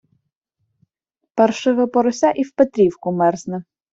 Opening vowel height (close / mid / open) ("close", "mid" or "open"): mid